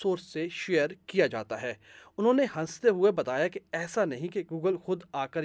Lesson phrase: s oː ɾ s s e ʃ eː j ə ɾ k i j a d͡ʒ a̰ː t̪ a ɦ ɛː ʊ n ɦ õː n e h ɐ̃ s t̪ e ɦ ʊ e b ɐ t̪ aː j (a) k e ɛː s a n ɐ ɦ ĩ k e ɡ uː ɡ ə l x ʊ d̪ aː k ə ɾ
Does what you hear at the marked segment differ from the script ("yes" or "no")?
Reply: no